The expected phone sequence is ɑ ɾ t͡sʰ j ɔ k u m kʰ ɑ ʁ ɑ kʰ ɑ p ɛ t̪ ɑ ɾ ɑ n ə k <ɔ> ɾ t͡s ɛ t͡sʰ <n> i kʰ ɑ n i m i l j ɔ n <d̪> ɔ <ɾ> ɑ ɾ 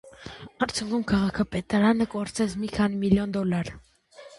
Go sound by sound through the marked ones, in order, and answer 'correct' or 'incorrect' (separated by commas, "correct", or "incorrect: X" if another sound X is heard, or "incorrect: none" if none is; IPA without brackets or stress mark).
correct, incorrect: m, correct, incorrect: l